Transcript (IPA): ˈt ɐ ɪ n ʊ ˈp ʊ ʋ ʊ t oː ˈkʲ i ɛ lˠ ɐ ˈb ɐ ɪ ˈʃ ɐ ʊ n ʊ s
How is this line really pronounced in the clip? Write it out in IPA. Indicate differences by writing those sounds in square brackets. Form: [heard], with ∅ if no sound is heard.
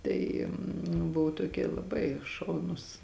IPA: ˈt ɐ ɪ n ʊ [ˈb] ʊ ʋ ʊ t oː ˈkʲ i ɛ lˠ ɐ ˈb ɐ ɪ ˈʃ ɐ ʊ n ʊ s